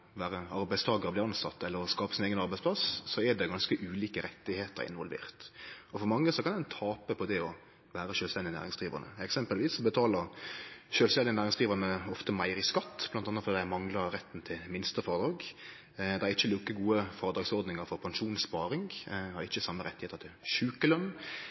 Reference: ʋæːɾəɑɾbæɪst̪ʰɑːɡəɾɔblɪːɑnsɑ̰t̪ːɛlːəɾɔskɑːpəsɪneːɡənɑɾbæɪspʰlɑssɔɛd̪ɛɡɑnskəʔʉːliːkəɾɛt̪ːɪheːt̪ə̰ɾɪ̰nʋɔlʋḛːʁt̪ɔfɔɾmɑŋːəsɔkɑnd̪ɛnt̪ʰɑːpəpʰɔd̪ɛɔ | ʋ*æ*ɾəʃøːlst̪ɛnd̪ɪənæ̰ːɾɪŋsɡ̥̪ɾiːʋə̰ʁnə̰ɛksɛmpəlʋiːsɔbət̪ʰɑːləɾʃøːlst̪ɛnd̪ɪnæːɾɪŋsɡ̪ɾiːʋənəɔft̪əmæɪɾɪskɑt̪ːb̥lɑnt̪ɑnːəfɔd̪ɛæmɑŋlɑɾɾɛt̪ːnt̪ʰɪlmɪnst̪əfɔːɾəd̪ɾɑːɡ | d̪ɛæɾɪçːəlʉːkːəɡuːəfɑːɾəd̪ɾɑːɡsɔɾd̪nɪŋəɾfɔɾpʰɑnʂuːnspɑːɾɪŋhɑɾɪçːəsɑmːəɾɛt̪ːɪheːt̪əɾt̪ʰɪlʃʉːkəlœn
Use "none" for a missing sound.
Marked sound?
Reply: æː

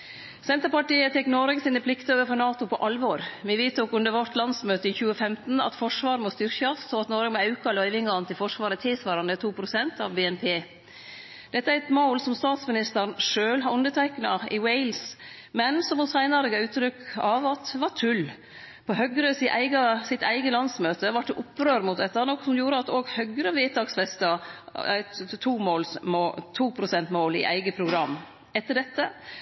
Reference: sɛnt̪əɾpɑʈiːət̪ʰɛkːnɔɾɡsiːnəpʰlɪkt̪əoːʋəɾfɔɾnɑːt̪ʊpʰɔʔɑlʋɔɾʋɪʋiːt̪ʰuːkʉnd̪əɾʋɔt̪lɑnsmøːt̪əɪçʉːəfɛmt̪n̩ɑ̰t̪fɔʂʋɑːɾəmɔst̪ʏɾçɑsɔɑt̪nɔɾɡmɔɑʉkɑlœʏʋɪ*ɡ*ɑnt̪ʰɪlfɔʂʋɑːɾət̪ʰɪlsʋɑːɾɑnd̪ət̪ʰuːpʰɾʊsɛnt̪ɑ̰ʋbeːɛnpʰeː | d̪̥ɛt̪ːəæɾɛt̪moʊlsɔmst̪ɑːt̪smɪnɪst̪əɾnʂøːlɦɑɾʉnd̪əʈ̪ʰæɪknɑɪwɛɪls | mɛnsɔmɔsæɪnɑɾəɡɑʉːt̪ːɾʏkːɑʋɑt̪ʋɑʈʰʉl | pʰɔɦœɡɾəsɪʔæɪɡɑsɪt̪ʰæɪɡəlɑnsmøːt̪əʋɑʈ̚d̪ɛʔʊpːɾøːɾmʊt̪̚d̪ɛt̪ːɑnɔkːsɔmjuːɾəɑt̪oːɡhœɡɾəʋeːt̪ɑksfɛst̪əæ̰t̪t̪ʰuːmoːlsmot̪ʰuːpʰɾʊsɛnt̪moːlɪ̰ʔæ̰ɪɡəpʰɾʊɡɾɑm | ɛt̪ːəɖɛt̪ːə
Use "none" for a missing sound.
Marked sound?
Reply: ŋ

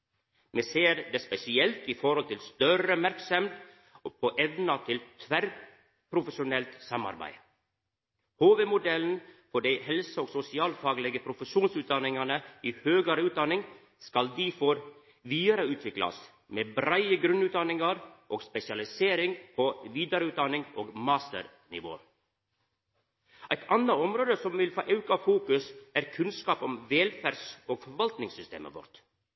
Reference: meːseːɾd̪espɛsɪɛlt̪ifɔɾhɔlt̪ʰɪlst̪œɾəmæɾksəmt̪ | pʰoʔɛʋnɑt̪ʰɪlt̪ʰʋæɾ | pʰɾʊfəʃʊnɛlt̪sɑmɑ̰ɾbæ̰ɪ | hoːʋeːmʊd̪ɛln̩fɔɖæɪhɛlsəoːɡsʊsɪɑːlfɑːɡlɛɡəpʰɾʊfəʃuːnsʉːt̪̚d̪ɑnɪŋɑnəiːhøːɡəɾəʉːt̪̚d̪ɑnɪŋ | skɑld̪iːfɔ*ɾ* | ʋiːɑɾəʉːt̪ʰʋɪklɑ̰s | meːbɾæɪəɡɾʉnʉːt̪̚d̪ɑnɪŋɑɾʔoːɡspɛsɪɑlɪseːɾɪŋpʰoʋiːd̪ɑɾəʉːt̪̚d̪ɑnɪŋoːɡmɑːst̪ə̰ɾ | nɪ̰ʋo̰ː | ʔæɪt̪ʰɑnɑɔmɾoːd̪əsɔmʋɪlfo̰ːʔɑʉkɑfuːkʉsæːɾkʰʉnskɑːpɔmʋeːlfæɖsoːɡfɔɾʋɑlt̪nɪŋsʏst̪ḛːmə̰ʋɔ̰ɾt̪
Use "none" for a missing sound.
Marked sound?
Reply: ɾ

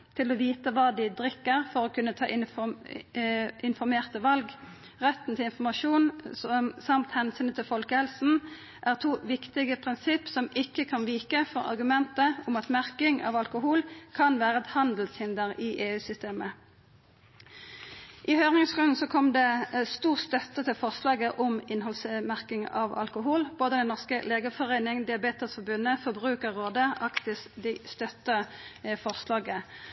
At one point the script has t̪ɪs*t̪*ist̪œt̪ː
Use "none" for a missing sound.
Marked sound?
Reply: d̪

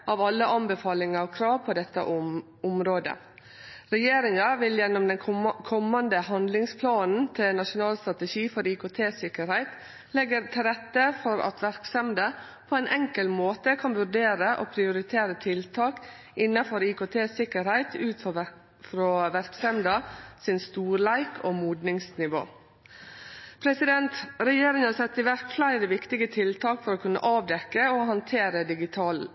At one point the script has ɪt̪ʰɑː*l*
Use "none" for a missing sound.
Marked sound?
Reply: l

